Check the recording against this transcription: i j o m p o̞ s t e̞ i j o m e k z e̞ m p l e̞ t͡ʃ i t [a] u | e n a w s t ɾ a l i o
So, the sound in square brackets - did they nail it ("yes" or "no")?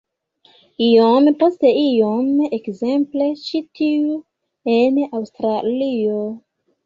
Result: no